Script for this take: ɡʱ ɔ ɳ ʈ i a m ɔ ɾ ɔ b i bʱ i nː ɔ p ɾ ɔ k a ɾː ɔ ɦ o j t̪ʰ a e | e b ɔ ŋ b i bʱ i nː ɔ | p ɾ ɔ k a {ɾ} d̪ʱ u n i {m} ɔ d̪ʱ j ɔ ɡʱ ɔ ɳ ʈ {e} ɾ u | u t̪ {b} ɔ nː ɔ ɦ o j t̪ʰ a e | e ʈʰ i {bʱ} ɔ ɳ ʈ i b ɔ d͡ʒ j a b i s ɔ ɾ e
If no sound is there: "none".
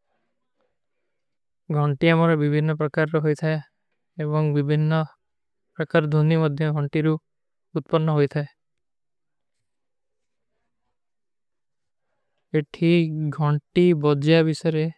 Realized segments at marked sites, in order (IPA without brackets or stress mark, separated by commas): ɾ, m, i, p, ɡʱ